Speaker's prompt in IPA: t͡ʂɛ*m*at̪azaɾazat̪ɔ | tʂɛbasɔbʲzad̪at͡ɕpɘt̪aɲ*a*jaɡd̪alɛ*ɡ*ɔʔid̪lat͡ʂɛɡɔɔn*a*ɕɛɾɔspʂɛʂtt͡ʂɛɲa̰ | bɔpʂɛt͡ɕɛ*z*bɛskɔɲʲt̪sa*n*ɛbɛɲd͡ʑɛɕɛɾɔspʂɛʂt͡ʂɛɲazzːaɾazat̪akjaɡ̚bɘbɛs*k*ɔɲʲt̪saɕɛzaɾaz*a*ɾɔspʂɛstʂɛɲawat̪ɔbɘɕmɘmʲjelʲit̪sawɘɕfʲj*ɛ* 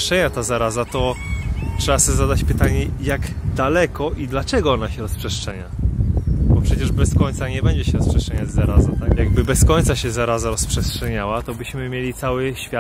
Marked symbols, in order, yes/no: no, no, no, yes, no, no, yes, yes, no

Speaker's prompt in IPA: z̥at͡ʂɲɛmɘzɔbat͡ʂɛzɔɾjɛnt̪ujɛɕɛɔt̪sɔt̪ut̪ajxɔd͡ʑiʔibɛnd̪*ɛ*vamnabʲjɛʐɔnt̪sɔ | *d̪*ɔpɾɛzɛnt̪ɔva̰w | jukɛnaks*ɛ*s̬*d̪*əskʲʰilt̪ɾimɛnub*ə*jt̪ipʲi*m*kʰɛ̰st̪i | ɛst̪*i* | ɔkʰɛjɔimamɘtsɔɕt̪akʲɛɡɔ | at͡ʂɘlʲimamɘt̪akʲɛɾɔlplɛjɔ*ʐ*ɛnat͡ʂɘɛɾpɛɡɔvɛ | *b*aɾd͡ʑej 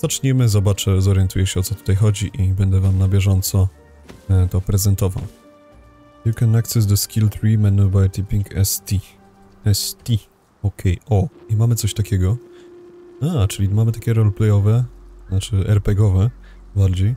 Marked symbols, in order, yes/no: yes, no, yes, yes, no, no, yes, no, yes

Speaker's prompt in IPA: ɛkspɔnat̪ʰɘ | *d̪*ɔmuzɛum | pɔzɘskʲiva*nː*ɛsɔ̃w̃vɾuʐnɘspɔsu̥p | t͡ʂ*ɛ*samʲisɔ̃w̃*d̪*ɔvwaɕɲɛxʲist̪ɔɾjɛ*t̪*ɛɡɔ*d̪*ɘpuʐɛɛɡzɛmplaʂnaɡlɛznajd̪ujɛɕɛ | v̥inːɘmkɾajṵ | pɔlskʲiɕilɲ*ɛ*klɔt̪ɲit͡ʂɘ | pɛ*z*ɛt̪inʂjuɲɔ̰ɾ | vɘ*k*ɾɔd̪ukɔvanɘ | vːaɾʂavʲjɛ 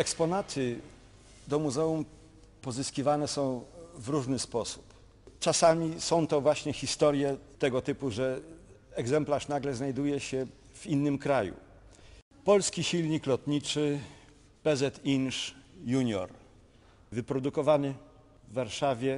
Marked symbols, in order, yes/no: yes, no, no, no, yes, no, no, yes, no

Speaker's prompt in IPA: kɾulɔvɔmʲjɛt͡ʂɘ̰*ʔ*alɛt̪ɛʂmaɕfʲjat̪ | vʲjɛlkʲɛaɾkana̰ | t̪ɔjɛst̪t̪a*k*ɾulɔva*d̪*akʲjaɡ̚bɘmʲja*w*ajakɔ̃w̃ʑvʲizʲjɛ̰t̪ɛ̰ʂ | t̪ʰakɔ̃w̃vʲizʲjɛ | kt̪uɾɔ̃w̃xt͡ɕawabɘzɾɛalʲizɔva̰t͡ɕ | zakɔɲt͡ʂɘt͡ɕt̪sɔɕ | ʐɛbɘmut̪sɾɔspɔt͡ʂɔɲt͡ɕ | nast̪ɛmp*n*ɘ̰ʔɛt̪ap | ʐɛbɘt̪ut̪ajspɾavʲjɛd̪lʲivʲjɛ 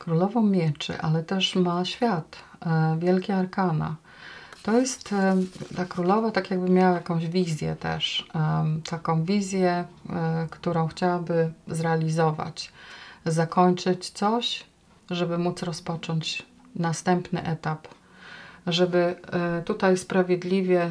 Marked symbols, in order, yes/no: yes, yes, no, yes, yes

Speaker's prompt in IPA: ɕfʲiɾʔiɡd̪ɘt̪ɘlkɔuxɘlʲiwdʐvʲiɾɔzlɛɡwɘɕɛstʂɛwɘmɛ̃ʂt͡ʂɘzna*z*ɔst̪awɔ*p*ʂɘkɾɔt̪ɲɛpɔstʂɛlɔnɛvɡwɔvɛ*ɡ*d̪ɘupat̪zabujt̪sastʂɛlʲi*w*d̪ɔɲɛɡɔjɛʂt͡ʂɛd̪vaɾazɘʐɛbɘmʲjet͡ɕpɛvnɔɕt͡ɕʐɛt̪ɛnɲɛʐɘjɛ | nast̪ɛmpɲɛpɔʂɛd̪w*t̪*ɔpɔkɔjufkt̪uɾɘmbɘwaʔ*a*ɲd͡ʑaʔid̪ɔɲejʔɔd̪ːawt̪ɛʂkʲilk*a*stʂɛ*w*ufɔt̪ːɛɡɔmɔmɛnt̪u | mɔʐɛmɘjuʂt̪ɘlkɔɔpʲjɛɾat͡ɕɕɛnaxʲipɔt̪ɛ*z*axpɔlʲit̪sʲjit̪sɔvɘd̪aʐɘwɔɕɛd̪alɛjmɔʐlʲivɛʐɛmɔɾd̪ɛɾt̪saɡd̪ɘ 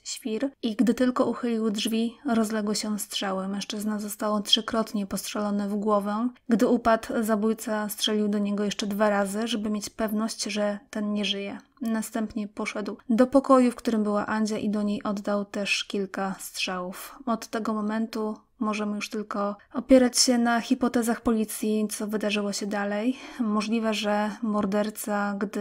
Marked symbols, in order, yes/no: yes, no, yes, yes, no, yes, yes, yes, yes

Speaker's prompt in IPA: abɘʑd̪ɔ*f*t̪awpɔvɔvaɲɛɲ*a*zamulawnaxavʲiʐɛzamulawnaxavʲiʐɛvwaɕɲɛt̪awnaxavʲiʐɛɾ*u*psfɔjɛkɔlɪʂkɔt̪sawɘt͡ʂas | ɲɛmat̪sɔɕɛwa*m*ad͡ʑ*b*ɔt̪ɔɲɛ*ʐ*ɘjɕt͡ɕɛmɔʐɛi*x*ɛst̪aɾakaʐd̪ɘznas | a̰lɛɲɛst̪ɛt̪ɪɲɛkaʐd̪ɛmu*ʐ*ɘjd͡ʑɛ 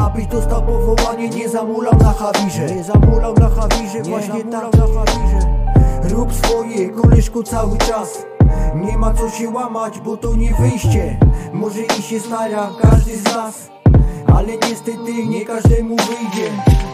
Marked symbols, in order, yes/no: no, no, yes, yes, yes, no, no, no

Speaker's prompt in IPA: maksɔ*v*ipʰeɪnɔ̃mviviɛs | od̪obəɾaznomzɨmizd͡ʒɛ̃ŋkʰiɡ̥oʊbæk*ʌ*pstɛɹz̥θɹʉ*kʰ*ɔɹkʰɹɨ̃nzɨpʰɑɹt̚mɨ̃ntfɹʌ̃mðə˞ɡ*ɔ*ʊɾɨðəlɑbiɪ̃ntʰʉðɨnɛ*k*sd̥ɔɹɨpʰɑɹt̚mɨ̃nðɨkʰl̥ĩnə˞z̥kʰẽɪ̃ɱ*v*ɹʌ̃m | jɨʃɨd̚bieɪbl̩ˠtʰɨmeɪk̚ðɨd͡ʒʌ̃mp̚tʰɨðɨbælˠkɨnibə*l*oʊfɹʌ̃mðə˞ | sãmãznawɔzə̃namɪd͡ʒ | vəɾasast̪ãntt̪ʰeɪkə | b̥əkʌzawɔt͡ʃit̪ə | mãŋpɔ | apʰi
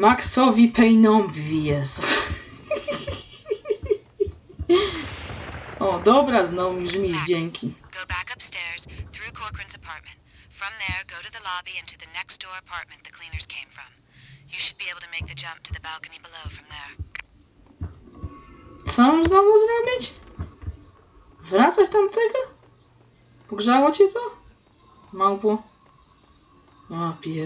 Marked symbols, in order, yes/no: yes, yes, yes, no, yes, no, yes

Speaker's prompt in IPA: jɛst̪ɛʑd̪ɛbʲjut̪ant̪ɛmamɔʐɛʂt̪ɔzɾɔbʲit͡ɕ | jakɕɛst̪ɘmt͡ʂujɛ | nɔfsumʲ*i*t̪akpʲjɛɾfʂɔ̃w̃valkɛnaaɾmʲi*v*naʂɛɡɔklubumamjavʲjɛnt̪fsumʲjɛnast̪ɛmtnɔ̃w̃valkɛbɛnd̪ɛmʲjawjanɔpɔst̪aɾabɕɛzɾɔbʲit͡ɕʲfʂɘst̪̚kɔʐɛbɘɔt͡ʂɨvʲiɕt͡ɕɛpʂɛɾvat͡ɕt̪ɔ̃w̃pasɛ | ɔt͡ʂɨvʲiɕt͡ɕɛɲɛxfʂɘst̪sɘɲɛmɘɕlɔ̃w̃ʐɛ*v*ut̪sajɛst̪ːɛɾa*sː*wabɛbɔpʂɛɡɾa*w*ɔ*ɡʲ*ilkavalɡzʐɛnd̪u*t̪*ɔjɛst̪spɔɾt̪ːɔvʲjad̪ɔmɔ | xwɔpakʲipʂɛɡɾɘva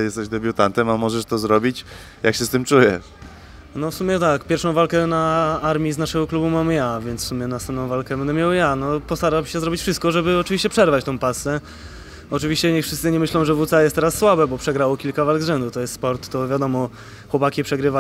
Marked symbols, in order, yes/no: no, no, yes, yes, yes, no, yes

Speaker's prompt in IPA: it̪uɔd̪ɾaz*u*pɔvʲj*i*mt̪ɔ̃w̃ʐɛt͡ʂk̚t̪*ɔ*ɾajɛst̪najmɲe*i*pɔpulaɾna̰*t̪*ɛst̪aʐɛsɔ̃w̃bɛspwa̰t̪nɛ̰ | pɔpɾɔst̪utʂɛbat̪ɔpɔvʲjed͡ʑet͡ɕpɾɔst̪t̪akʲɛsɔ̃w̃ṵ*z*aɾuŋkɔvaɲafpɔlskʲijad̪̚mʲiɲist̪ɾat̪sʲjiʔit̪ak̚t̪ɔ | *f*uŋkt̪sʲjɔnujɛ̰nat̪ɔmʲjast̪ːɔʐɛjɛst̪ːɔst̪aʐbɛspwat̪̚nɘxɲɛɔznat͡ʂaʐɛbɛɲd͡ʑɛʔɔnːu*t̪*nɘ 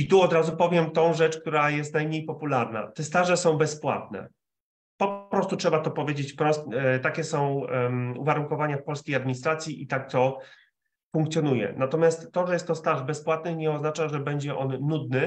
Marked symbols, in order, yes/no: yes, no, no, no, yes, no, yes, no

